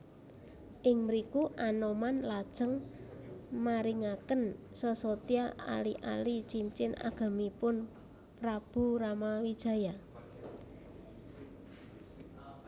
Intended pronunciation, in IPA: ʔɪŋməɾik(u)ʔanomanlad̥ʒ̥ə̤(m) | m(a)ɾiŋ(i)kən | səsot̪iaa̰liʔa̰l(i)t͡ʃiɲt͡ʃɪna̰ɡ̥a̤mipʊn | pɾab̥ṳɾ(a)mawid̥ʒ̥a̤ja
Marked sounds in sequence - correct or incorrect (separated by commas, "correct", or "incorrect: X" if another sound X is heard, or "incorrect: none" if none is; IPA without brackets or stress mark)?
correct, incorrect: ŋ, correct, incorrect: a, correct, correct